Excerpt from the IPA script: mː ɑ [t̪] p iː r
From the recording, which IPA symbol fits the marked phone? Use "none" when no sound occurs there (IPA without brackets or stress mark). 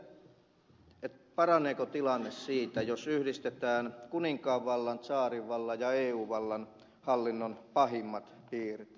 t̪